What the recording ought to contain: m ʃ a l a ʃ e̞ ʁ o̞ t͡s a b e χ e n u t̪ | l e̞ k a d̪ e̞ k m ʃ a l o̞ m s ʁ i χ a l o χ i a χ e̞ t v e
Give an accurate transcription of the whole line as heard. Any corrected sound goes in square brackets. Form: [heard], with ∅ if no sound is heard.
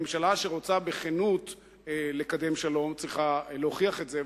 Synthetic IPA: m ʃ a l a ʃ e̞ ʁ o̞ t͡s a b e χ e n u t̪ | l e̞ k a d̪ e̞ [∅] m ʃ a l o̞ m [t͡s] ʁ i χ a l o χ i a χ e̞ t [z] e